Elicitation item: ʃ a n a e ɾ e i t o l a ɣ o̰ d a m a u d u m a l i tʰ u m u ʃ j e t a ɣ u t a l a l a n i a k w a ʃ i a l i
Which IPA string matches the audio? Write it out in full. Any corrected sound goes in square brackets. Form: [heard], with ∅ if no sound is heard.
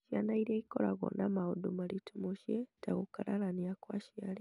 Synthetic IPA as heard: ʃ a n a [i] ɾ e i [k] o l a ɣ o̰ [n] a m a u d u m a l i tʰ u m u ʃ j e t a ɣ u [k] a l a l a n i a k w a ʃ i a l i